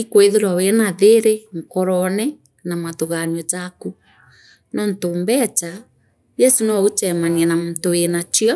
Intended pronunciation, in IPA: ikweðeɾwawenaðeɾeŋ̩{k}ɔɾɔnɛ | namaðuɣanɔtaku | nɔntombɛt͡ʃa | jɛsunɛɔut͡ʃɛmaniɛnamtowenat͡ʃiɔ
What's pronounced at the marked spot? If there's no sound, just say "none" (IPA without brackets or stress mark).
k